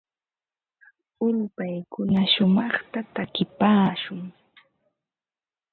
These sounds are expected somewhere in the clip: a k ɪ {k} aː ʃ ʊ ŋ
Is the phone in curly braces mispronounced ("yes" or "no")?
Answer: yes